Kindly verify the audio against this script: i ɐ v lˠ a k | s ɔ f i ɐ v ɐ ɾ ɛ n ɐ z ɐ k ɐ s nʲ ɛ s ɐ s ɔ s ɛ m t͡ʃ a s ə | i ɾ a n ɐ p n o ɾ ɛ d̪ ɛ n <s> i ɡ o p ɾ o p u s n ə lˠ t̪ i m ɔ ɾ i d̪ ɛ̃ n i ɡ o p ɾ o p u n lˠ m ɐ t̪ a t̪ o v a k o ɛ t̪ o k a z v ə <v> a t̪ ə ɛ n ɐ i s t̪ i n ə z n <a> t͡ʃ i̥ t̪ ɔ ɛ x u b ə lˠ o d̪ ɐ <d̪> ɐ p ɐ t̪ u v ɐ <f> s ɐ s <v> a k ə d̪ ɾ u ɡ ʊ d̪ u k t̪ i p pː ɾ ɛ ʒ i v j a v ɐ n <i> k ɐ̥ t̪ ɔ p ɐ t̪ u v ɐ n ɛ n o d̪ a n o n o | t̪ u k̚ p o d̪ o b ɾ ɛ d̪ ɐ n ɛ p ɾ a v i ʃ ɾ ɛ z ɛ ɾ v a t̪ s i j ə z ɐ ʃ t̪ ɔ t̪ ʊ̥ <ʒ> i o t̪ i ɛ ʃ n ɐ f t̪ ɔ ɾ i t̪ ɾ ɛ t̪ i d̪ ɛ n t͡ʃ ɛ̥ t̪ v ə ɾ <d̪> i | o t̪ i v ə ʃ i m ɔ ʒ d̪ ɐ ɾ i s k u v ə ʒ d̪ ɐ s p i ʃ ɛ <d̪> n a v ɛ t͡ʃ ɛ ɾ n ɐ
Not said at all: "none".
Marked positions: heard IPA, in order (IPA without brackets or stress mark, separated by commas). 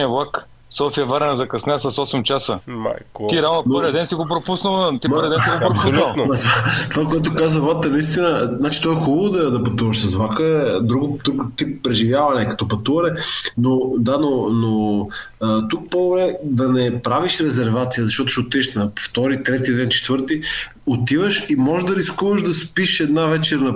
s, v, a, d̪, ʃ, v, ɛ, ʃ, t̪, d̪